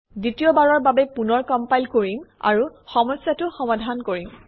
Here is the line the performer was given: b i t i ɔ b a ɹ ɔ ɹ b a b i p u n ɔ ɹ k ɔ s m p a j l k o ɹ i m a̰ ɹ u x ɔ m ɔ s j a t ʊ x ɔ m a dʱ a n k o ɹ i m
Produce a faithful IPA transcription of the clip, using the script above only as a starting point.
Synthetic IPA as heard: d i t i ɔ b a ɹ ɔ ɹ b a b ɛ p u n ɔ ɹ k ɔ m p a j l k o ɹ i m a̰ ɹ u x ɔ m ɔ s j a t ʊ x ɔ m a dʱ a n k o ɹ i m